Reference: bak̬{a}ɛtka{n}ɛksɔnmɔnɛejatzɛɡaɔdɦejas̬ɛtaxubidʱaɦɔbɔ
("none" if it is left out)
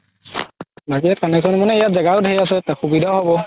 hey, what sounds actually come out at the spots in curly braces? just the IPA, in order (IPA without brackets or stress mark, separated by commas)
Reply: i, n